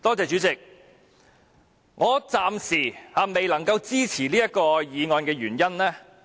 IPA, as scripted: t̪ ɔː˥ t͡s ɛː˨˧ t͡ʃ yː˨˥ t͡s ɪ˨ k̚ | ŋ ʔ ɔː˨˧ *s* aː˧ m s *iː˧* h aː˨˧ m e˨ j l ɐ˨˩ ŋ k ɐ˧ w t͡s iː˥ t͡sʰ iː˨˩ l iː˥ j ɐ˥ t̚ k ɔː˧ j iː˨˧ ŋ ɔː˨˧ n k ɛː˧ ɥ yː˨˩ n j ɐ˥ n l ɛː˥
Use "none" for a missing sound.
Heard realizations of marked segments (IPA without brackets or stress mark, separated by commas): t͡s, iː˨˩